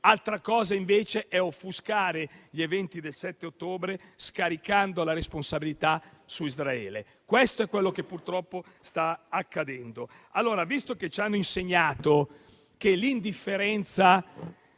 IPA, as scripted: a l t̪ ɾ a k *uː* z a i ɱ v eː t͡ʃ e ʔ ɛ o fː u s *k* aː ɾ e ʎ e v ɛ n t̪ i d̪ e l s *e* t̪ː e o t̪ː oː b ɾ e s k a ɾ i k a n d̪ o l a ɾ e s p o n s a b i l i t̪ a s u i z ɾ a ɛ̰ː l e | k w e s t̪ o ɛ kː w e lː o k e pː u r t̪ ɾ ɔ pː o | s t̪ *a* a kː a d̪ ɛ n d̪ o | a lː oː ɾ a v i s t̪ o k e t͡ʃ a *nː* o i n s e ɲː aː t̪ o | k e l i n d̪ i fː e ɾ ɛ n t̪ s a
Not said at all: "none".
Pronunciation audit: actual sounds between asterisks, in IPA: ɔː, k, ɛ, a, nː

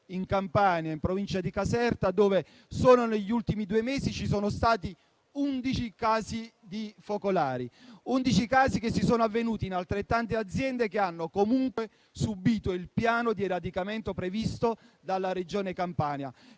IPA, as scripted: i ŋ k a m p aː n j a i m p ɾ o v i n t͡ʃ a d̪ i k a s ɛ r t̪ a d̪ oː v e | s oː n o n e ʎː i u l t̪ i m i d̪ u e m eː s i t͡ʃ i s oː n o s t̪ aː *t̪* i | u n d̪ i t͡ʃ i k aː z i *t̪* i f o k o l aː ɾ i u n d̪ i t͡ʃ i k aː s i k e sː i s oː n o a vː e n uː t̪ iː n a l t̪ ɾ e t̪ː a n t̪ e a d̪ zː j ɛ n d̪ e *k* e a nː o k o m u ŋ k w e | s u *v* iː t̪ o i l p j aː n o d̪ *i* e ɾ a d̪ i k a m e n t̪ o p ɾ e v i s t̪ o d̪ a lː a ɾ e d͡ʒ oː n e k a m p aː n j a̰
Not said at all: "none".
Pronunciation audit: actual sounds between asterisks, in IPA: t̪, d̪, k, b, i

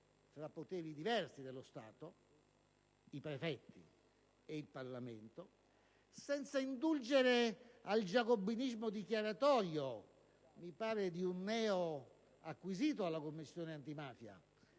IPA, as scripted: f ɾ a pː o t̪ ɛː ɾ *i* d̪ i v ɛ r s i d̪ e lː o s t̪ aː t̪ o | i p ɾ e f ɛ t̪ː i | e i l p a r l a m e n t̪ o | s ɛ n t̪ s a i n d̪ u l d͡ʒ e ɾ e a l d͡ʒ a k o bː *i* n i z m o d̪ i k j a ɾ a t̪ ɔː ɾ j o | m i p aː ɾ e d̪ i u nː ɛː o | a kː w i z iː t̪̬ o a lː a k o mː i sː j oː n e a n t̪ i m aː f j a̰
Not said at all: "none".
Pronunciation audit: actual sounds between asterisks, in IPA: i, i

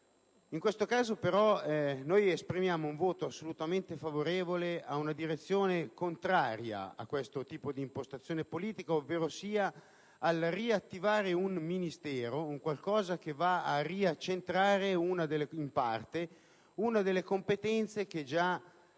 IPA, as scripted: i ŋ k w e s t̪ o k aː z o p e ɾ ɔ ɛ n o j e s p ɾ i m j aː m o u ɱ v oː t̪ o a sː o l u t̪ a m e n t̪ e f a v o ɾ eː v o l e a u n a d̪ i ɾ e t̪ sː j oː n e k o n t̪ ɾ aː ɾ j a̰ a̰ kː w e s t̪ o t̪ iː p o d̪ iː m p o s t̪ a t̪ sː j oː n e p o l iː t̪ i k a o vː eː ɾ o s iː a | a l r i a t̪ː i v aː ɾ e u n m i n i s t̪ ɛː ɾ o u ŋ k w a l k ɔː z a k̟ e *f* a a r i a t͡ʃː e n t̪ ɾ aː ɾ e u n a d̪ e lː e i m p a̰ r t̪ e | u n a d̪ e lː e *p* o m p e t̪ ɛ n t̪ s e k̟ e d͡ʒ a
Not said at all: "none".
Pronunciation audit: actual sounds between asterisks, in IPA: v, k

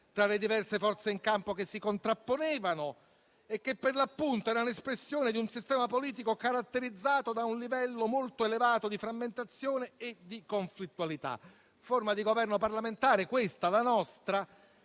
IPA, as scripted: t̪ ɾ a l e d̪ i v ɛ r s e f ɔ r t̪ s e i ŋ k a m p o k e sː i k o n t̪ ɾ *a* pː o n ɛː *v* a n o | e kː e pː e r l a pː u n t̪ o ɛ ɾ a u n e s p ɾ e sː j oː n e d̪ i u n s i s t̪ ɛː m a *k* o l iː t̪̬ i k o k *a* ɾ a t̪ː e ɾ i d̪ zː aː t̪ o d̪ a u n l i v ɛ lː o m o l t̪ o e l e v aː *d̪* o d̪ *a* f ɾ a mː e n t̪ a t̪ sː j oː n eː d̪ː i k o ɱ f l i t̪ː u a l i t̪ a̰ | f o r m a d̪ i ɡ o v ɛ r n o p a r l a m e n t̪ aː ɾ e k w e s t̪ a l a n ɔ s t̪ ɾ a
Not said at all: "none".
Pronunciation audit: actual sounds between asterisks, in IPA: a, v, p, a, t̪, i

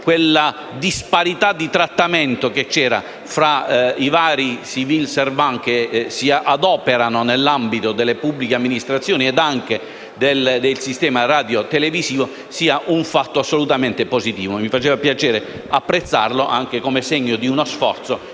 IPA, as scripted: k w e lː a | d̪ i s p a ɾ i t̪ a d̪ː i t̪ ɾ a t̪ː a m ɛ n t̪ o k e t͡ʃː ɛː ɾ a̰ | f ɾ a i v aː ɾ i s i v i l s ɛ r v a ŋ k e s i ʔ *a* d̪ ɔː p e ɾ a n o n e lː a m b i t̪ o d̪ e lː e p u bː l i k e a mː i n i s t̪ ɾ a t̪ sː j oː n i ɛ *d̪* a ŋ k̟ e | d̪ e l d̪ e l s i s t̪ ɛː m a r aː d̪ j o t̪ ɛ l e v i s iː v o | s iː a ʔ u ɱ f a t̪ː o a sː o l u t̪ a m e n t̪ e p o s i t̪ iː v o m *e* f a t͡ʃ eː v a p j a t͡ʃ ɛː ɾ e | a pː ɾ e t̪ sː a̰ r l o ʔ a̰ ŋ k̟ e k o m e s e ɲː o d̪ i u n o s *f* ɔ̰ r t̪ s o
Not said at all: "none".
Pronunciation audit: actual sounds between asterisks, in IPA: a, d̪, i, f

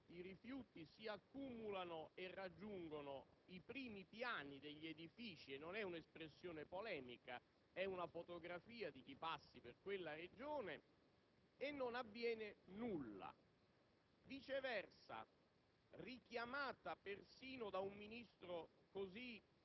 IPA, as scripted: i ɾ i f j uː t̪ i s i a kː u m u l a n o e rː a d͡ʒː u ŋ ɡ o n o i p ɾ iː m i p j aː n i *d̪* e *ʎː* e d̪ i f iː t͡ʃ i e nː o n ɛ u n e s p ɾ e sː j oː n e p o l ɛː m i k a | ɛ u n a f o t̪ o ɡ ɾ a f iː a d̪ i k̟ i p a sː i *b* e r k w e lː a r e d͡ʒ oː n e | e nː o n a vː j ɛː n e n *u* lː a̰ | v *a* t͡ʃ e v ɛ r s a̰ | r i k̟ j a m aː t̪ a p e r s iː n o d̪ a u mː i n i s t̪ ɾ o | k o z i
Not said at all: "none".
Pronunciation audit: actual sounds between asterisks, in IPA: d̪, ʎː, p, u, i

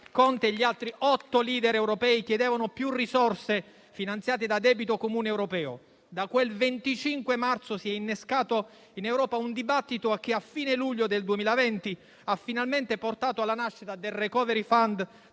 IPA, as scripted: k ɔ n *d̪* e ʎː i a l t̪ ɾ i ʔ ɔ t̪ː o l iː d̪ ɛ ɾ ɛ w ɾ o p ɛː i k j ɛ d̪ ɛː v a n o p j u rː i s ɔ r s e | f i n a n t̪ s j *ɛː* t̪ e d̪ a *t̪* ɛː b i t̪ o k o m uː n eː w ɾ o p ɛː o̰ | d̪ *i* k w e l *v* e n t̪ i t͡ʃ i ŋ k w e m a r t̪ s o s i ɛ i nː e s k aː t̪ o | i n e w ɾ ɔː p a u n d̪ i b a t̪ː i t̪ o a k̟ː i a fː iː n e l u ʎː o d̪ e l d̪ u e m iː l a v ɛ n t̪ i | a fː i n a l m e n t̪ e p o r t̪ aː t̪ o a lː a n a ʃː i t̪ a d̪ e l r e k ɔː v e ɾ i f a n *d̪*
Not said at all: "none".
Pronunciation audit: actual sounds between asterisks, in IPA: t̪, aː, d̪, a, v, d̪

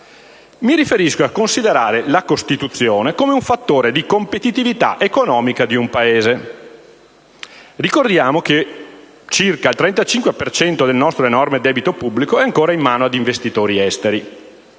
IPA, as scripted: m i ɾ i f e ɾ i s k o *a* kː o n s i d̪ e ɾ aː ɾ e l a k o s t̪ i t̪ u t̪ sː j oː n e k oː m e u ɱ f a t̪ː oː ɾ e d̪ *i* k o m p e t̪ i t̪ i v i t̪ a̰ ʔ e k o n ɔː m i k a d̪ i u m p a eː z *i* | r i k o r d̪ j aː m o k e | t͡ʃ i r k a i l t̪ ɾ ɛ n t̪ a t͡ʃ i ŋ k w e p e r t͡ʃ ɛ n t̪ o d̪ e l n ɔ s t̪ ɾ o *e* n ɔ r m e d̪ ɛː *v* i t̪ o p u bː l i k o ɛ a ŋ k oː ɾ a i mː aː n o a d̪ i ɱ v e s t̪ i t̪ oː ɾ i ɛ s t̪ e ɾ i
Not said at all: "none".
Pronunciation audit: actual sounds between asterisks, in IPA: a, i, e, e, b

